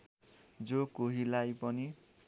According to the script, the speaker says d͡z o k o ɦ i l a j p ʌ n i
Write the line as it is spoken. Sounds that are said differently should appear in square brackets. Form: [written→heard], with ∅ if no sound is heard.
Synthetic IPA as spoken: d͡z o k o ɦ i l a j p ʌ n i